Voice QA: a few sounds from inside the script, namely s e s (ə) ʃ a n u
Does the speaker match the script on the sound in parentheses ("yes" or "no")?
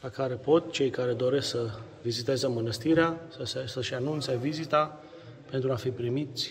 yes